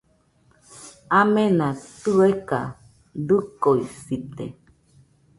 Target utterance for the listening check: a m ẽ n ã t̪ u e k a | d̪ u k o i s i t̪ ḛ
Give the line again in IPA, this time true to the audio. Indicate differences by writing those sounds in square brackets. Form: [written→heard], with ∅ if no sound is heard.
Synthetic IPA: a m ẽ n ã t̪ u e k a | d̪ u k o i s i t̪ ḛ